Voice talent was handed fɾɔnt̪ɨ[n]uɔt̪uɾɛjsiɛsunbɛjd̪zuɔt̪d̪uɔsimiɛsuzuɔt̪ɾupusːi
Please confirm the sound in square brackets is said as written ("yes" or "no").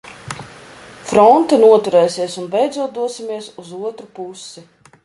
yes